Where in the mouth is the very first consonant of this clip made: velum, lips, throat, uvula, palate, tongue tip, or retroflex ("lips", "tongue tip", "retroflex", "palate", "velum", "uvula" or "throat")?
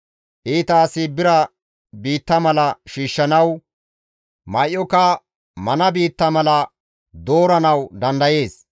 throat